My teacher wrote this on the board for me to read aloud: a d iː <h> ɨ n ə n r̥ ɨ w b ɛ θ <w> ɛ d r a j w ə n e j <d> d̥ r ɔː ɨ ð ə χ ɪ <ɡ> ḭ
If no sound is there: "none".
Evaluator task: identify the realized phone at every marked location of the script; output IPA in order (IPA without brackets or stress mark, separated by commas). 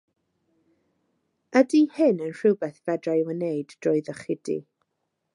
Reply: h, v, d, d